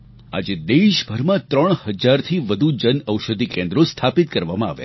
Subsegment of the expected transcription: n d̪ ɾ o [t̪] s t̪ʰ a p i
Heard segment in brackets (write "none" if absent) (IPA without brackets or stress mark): none